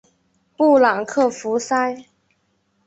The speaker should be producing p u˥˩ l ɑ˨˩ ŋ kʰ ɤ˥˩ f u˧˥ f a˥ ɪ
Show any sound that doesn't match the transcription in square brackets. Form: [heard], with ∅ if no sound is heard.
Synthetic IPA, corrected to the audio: p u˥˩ l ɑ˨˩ ŋ kʰ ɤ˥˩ f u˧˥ [s] a˥ ɪ